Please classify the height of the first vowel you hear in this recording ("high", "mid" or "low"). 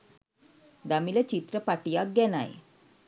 low